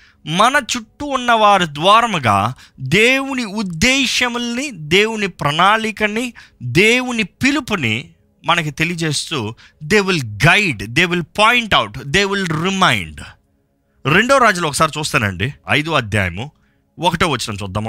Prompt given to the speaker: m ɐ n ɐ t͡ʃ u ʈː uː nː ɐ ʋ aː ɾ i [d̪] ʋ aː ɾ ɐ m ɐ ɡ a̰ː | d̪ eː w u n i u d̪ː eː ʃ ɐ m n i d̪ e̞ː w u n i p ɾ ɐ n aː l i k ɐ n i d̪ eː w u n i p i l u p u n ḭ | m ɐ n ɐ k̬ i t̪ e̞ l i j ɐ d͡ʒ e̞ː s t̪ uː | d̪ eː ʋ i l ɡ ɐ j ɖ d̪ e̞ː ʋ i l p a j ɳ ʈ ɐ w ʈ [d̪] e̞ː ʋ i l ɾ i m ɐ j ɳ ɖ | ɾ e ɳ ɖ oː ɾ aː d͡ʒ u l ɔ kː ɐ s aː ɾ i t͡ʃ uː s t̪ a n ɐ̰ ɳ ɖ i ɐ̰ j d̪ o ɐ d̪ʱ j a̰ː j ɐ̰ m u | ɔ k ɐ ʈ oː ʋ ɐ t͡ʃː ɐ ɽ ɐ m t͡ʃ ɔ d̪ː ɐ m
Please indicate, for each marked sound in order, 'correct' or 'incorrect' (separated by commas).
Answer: correct, correct